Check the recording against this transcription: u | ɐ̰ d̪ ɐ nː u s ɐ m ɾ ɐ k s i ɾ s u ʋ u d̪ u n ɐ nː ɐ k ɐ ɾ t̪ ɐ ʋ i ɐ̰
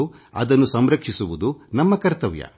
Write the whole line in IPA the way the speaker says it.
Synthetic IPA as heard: u | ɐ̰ d̪ ɐ nː u s ɐ m ɾ ɐ k ʂ i s u ʋ u d̪ u n ɐ mː ɐ k ɐ ɾ t̪ ɐ ʋ j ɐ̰

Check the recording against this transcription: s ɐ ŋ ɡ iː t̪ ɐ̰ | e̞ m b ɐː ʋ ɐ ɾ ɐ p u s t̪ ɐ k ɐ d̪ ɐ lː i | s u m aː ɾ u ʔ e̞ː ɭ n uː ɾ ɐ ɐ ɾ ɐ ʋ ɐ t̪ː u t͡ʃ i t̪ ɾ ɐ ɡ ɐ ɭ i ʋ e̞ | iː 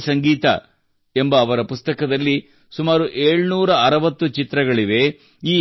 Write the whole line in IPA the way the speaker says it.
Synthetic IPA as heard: s ɐ ŋ ɡ iː t̪ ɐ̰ | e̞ m b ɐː ʋ ɐ ɾ ɐ p u s t̪ ɐ k ɐ d̪ ɐ lː i | s u m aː ɾ u ʔ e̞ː ɭ n uː ɾ ɐ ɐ ɾ ɐ ʋ ɐ t̪ː u t͡ʃ i t̪ ɾ ɐ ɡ ɐ ɭ i ʋ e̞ | iː

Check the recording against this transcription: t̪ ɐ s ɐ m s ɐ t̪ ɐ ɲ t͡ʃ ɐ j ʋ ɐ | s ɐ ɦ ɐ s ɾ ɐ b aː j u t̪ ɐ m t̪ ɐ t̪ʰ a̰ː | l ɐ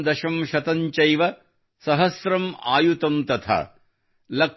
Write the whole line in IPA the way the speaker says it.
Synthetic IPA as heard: d̪ ɐ ʃ ɐ m ʃ ɐ t̪ ɐ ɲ t͡ʃ ɐ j ʋ ɐ | s ɐ ɦ ɐ s ɾ ɐ m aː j u t̪ ɐ m t̪ ɐ t̪ʰ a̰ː | l ɐ

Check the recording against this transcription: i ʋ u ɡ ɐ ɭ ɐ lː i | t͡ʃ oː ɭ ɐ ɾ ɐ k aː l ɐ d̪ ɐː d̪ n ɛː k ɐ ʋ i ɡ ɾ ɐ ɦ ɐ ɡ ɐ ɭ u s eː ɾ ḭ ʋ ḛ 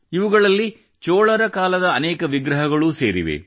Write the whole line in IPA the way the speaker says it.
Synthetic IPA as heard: i ʋ u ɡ ɐ ɭ ɐ lː i | t͡ʃ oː ɭ ɐ ɾ ɐ k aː l ɐ d̪ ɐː n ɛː k ɐ ʋ i ɡ ɾ ɐ ɦ ɐ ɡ ɐ ɭ u s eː ɾ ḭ ʋ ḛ

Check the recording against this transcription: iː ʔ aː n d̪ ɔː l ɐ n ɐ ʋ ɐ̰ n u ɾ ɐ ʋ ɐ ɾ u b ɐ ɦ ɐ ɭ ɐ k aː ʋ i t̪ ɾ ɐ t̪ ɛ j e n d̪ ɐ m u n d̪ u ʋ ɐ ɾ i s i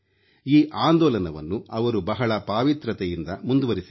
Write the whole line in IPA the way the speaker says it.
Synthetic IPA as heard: iː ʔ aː n d̪ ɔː l ɐ n ɐ ʋ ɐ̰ nː u ɐ ʋ ɐ ɾ u b ɐ ɦ ɐ ɭ ɐ p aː ʋ i t̪ ɾ ɐ t̪ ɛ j i n d̪ ɐ m u n d̪ u ʋ ɐ ɾ i s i

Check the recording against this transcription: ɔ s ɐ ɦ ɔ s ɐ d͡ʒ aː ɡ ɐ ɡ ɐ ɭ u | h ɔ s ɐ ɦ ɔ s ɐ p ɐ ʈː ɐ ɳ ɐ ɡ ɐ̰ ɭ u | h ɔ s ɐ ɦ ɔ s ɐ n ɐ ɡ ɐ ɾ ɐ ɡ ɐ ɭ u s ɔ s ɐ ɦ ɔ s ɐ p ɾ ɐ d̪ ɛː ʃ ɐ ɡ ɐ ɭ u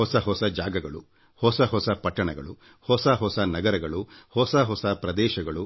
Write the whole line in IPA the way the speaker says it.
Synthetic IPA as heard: ɔ s ɐ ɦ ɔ s ɐ d͡ʒ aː ɡ ɐ ɡ ɐ ɭ u | h ɔ s ɐ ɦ ɔ s ɐ p ɐ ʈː ɐ ɳ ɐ ɡ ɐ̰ ɭ u | h ɔ s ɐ ɦ ɔ s ɐ n ɐ ɡ ɐ ɾ ɐ ɡ ɐ ɭ u h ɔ s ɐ ɦ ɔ s ɐ p ɾ ɐ d̪ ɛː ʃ ɐ ɡ ɐ ɭ u

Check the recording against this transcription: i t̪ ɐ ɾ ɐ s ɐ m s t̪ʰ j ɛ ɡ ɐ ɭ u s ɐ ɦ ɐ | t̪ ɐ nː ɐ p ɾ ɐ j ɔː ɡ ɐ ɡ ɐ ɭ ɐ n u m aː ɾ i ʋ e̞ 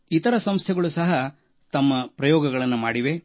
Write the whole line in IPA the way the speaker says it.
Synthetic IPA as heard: i t̪ ɐ ɾ ɐ s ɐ m s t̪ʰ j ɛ ɡ ɐ ɭ u s ɐ ɦ ɐ | t̪ ɐ mː ɐ p ɾ ɐ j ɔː ɡ ɐ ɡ ɐ ɭ ɐ nː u m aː ɽ i ʋ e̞

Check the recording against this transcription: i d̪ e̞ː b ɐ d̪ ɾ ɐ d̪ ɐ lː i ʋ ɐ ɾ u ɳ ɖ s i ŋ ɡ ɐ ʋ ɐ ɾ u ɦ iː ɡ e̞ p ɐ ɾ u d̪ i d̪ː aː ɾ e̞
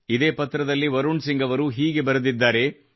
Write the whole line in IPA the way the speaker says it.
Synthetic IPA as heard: i d̪ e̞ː p ɐ t̪ ɾ ɐ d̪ ɐ lː i ʋ ɐ ɾ u ɳ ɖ s i ŋ ɡ ɐ ʋ ɐ ɾ u ɦ iː ɡ e̞ b ɐ ɾ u d̪ i d̪ː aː ɾ e̞

